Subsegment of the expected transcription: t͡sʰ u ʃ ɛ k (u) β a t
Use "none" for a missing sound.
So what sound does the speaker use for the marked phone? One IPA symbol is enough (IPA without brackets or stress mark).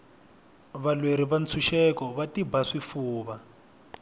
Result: ɔ